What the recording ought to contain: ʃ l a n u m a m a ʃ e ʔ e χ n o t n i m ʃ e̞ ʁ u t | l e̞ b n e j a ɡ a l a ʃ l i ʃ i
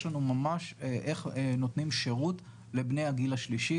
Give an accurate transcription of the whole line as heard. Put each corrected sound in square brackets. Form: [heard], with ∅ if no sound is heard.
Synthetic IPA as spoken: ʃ l a n u m a m a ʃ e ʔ e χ n o t n i m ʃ e̞ ʁ u t | l e̞ b n e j a ɡ [i] l a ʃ l i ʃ i

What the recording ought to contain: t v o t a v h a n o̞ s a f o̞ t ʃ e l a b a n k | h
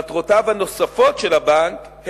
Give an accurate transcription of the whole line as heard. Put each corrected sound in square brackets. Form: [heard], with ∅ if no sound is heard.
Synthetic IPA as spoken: t [ʁ] o t a v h a n o̞ s a f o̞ t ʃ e l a b a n k | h

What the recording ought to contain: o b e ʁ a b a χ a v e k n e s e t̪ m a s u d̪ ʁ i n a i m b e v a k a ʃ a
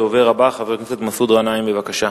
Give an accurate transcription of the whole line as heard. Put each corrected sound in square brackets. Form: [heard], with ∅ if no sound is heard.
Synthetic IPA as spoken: o [v] e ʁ a b a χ a v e k n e s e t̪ m a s u d̪ ʁ [a] n a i m b e v a k a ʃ a

